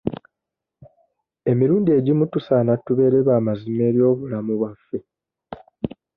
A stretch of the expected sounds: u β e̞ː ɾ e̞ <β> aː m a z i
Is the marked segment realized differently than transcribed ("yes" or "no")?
no